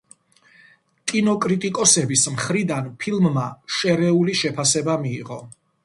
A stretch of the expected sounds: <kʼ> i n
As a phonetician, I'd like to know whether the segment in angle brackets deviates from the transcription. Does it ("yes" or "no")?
no